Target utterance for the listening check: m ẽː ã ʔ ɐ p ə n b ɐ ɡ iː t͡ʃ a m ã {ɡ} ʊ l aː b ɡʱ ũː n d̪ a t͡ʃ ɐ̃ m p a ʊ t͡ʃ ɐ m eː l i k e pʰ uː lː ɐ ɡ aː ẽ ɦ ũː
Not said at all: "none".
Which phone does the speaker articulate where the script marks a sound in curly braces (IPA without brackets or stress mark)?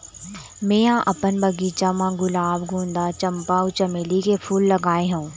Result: ɡ